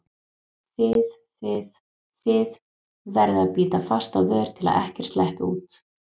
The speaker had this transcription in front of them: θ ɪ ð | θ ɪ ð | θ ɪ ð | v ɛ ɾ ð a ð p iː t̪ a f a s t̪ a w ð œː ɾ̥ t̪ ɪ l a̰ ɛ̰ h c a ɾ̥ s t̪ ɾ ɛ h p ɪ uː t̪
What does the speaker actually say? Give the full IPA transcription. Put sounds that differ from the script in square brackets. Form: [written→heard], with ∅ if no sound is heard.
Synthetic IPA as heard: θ ɪ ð | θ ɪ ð | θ ɪ ð | v ɛ ɾ ð a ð p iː t̪ a f a s t̪ a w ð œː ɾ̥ [t̪→t̪ʰ] ɪ l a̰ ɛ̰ h c [a→ɛ] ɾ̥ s t̪ [ɾ→l] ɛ h p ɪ uː t̪